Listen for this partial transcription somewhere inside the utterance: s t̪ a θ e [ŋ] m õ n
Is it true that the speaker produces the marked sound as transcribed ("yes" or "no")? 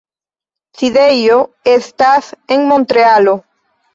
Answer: yes